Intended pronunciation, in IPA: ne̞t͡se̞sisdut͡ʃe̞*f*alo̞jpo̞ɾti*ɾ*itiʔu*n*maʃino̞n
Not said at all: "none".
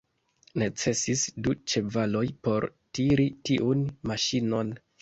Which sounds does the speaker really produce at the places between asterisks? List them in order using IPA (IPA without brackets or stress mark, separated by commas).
v, ɾ, n